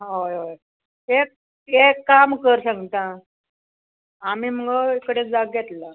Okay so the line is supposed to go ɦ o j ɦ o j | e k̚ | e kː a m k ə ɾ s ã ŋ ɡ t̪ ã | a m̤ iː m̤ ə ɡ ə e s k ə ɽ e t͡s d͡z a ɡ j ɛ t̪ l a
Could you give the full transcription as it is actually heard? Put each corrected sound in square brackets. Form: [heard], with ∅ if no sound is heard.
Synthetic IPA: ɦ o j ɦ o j | e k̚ | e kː a m k ə ɾ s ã ŋ ɡ t̪ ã | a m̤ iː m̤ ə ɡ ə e [∅] k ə ɽ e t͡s d͡z a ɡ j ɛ t̪ l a